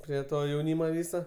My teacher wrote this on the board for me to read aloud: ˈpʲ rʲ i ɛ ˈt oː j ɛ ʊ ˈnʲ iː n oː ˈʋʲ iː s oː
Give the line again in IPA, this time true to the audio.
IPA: ˈpʲ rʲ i ɛ ˈt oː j ɛ ʊ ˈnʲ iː m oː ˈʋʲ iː s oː